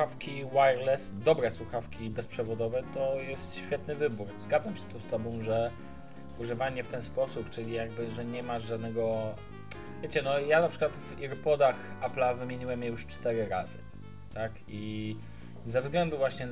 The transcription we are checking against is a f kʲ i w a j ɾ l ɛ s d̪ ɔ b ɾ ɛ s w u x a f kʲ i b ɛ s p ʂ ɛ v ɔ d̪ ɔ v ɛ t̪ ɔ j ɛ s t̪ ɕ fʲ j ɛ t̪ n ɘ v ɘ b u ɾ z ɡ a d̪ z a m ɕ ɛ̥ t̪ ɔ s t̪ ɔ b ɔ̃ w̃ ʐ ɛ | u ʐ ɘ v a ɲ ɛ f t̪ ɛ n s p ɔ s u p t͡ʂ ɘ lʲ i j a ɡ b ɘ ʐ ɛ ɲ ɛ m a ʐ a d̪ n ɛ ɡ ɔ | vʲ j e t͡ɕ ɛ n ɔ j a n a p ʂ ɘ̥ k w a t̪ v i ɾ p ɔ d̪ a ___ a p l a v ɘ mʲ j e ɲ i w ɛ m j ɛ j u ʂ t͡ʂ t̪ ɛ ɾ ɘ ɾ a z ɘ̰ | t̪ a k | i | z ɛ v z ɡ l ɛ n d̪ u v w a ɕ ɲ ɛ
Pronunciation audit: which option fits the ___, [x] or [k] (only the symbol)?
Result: x